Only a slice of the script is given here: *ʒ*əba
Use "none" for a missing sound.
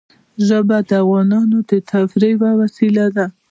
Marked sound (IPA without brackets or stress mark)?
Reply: ʒ